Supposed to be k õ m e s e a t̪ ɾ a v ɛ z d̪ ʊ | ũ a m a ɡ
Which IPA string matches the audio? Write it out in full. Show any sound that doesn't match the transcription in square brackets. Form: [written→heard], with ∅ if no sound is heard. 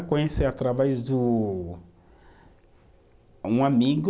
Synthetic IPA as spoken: k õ [m→ɲ] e s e a t̪ ɾ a v ɛ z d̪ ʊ | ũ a m [a→i] ɡ